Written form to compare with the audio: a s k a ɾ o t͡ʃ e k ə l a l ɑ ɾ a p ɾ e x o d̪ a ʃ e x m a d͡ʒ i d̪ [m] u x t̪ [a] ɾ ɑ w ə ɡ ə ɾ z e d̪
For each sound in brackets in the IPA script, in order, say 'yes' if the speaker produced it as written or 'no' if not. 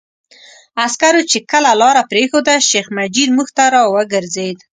yes, yes

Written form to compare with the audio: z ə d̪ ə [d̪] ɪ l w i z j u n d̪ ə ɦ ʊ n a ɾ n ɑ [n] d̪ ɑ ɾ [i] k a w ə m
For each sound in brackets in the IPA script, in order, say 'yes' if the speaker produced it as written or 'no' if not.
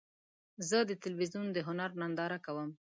no, yes, no

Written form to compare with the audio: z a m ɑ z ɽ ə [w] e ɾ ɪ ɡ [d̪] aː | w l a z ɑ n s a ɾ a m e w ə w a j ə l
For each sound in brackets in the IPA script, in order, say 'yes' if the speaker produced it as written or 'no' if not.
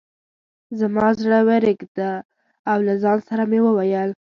yes, yes

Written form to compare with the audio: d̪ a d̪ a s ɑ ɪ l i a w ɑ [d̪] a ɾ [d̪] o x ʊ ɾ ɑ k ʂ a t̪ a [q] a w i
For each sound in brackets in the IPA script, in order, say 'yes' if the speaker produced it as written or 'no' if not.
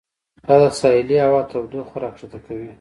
no, yes, no

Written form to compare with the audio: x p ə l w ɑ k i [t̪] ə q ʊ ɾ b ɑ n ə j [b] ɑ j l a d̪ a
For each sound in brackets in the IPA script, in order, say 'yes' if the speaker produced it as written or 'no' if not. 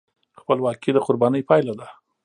no, no

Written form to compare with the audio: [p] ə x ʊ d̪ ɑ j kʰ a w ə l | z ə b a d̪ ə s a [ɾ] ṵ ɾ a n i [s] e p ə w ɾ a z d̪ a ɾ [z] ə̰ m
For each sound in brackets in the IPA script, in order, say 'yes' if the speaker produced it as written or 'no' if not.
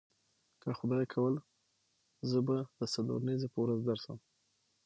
no, no, no, no

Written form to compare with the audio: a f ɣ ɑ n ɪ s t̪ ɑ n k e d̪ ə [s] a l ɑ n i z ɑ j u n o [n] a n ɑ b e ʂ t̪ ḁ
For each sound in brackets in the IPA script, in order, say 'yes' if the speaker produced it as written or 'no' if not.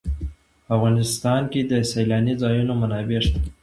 yes, no

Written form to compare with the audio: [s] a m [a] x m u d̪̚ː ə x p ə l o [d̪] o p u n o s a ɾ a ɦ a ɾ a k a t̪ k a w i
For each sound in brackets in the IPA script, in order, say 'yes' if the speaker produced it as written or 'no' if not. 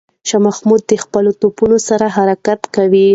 no, yes, no

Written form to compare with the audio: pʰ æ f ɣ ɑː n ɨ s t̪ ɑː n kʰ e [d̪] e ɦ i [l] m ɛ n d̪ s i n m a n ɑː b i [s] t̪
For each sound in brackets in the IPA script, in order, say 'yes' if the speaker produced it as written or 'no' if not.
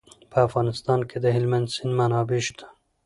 yes, yes, no

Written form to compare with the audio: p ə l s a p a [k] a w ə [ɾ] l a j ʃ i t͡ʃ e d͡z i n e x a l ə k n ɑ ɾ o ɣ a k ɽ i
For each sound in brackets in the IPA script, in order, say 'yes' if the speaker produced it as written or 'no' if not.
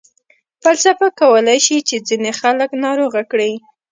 yes, no

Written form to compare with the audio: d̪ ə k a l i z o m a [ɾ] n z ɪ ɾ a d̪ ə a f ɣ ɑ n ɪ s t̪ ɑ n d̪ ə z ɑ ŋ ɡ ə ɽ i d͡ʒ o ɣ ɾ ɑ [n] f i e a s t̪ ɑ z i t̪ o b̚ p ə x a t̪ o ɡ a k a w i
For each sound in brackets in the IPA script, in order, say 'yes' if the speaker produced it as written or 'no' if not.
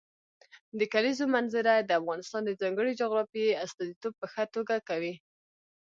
no, no

